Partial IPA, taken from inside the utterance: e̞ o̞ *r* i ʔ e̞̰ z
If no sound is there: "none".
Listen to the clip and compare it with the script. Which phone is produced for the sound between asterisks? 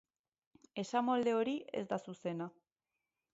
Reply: ɾ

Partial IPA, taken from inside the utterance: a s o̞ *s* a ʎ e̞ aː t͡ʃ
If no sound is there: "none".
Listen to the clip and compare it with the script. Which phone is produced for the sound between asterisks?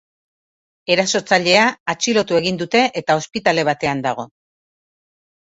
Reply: t͡s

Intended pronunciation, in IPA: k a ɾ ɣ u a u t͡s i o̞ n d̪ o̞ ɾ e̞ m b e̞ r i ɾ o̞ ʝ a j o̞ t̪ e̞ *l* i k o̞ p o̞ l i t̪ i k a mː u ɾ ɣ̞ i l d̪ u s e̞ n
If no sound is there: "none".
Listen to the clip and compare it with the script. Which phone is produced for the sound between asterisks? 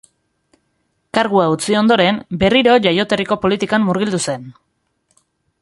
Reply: r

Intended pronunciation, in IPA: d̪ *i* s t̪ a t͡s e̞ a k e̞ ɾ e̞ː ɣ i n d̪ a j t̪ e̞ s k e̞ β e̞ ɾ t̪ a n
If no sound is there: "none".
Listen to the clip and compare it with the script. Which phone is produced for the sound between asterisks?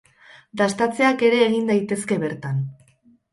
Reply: a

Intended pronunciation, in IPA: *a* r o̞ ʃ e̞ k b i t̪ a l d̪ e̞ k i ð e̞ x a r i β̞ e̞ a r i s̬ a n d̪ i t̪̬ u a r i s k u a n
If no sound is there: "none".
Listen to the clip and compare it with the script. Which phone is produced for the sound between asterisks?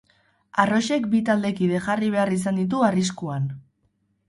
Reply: a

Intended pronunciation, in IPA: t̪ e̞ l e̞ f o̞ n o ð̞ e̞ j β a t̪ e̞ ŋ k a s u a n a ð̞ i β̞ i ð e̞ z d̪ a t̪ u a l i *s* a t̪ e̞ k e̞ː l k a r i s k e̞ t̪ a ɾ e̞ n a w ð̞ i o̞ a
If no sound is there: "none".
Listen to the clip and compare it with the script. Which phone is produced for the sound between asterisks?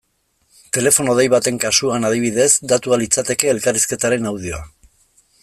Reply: t͡s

